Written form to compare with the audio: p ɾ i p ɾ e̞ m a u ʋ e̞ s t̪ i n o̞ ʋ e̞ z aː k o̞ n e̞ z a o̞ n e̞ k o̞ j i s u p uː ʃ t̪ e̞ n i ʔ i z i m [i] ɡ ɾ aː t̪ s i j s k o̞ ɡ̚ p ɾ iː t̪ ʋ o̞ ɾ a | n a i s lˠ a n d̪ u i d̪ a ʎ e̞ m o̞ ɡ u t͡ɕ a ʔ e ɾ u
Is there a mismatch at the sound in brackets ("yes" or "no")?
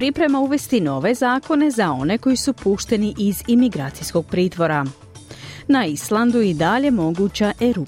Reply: no